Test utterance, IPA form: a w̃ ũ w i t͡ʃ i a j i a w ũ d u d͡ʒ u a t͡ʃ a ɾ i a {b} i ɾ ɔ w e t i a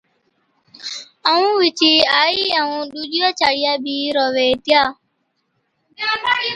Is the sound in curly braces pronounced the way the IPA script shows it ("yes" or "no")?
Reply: yes